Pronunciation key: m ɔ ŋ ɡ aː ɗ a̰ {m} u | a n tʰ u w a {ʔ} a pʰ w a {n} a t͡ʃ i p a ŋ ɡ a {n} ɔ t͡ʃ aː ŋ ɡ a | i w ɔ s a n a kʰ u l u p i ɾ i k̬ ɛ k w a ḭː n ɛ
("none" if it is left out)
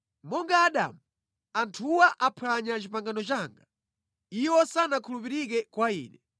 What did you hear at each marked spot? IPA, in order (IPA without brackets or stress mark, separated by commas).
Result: m, ʔ, ɲ, n